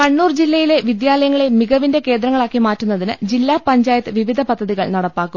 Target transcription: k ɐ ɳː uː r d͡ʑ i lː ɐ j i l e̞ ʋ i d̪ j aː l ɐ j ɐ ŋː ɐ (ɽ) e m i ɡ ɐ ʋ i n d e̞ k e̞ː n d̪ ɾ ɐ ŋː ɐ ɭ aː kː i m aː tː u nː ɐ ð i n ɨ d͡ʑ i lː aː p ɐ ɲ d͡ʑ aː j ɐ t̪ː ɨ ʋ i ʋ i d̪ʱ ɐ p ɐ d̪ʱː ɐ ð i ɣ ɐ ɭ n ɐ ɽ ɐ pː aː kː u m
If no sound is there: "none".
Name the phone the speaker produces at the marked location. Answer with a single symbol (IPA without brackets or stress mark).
ɭ